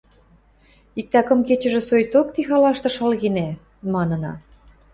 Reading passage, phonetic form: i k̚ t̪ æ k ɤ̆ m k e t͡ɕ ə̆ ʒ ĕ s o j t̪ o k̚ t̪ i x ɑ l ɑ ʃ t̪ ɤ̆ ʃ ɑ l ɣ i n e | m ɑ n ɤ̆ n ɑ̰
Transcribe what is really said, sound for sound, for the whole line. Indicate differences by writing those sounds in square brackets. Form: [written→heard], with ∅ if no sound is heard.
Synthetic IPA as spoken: i k̚ t̪ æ k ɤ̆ m k e t͡ɕ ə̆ ʒ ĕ s o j t̪ o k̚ t̪ i x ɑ l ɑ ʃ t̪ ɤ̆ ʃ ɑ l ɣ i n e | m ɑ n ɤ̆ n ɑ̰